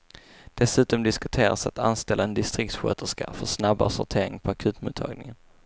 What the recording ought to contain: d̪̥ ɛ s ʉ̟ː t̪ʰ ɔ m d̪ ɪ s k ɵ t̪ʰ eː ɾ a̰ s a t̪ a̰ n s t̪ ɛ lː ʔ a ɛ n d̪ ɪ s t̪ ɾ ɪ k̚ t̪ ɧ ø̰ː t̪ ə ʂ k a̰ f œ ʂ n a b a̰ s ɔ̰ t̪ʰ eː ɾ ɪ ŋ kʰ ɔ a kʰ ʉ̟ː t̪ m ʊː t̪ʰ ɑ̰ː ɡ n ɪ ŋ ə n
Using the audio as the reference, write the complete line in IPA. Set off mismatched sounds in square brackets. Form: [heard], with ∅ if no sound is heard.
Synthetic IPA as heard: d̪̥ ɛ s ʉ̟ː [t̪] ɔ m d̪ ɪ s k ɵ t̪ʰ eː ɾ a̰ s a t̪ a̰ n s t̪ ɛ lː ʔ a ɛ n d̪ ɪ s t̪ ɾ ɪ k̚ t̪ ɧ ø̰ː t̪ ə ʂ k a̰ f œ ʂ n a b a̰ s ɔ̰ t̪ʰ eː ɾ ɪ ŋ [pʰ] ɔ a kʰ ʉ̟ː t̪ m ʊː t̪ʰ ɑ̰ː ɡ n ɪ ŋ ə n